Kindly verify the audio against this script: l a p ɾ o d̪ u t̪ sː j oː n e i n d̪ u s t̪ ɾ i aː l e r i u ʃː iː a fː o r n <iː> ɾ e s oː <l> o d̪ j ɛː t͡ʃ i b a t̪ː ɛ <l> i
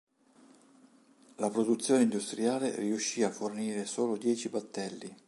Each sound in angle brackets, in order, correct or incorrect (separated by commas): correct, correct, incorrect